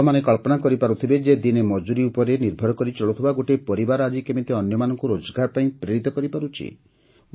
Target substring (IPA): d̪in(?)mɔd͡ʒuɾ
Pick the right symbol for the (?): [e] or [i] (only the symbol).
e